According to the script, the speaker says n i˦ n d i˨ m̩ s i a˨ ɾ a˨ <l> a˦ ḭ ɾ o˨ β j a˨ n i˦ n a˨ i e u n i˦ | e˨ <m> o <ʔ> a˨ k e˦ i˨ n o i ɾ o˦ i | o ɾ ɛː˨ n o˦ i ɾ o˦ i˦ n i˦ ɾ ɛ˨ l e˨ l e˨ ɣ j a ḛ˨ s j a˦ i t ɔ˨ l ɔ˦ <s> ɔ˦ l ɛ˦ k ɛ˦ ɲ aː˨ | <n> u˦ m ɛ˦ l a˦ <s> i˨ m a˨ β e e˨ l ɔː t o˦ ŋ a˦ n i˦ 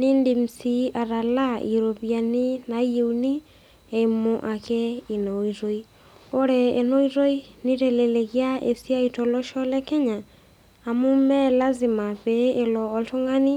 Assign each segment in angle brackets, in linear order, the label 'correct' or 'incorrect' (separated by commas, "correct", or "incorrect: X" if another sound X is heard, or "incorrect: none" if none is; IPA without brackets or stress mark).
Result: correct, correct, correct, incorrect: ʃ, incorrect: m, incorrect: z